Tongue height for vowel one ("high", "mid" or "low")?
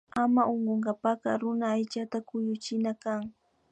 low